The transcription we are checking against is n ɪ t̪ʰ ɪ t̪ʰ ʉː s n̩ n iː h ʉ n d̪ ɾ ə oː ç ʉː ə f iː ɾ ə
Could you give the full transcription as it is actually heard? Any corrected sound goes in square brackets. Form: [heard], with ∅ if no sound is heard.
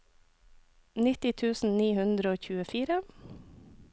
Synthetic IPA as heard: n ɪ [t̪] ɪ t̪ʰ ʉː s n̩ n iː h ʉ n d̪ ɾ ə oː ç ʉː ə f iː ɾ ə